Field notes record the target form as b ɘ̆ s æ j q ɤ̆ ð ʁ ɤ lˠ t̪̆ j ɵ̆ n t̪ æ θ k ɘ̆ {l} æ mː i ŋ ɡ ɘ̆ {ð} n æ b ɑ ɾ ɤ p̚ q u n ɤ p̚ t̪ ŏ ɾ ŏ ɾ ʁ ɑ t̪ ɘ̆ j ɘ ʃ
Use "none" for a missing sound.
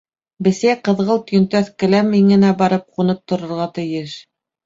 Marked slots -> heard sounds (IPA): l, none

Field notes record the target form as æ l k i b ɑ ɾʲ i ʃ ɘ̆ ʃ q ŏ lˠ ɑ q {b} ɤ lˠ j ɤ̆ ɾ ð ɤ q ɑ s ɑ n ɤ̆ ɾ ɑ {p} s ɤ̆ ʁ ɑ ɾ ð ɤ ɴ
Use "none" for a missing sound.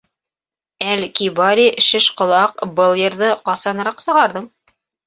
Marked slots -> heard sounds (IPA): b, q

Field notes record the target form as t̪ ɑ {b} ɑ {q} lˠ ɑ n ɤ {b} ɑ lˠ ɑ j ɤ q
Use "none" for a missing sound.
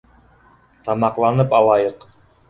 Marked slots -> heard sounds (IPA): m, q, p

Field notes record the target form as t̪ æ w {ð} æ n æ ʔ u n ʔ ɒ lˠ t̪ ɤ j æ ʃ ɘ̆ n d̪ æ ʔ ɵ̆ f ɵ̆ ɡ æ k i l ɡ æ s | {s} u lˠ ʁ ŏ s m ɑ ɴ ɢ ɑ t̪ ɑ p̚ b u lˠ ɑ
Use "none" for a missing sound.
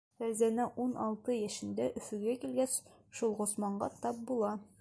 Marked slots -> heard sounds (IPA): z, ʃ

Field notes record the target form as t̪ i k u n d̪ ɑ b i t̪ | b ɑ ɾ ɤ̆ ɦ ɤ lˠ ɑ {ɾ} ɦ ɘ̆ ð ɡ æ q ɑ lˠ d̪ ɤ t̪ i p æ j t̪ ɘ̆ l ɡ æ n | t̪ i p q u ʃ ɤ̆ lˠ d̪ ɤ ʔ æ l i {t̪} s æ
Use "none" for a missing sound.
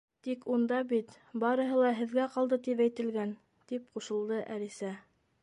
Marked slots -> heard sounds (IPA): none, none

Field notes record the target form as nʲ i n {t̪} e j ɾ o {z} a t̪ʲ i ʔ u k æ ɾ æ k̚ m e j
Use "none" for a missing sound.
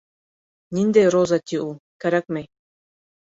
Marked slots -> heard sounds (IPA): d̪, z

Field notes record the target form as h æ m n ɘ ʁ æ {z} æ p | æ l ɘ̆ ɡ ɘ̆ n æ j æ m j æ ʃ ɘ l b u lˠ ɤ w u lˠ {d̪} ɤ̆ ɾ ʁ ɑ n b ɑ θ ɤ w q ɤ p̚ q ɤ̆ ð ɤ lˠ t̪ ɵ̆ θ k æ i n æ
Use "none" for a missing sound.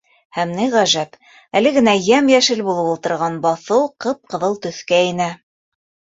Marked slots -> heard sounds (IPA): ʒ, t̪

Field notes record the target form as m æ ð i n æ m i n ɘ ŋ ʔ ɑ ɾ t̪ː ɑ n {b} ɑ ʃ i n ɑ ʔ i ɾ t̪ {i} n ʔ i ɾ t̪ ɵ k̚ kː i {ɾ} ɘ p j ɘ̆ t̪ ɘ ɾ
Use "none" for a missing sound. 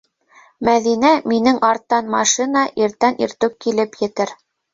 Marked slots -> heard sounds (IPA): m, æ, l

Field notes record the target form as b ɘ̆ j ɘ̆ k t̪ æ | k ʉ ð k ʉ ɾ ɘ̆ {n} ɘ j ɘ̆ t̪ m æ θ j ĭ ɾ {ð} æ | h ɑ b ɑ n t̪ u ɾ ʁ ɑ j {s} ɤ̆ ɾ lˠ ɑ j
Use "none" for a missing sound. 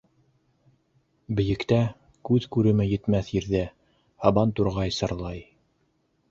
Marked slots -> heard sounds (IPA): m, ð, s

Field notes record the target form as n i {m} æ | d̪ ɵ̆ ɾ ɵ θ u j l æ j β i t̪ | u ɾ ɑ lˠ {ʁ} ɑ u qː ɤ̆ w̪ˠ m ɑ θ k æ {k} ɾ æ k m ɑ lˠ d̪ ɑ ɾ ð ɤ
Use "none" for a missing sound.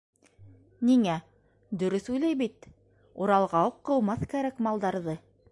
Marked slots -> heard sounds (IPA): ŋ, ʁ, none

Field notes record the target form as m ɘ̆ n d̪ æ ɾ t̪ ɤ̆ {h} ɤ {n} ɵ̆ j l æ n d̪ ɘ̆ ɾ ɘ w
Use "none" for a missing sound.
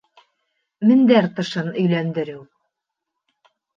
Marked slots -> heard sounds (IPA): ʃ, n

